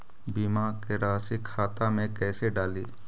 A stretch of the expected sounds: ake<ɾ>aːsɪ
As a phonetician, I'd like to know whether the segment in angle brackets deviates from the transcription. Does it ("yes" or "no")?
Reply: no